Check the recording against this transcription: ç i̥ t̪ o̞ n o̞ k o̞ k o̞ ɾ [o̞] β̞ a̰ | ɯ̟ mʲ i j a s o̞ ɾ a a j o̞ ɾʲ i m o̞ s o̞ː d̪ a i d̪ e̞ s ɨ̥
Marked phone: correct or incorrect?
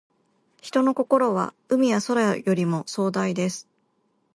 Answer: correct